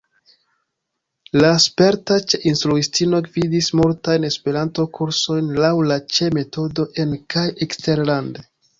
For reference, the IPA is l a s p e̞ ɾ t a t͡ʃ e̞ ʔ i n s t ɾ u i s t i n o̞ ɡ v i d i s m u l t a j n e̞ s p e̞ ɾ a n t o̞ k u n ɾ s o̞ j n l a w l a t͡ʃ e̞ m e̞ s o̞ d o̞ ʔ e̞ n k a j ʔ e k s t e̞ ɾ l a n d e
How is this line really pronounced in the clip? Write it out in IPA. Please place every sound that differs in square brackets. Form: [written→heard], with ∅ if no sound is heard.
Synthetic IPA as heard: l a s p e̞ ɾ t a t͡ʃ e̞ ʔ i n s t ɾ u i s t i n o̞ ɡ v i d i s m u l t a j n e̞ s p e̞ ɾ a n t o̞ k u [n→∅] ɾ s o̞ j n l a w l a t͡ʃ e̞ m e̞ [s→t] o̞ d o̞ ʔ e̞ n k a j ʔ e k s t e̞ ɾ l a n d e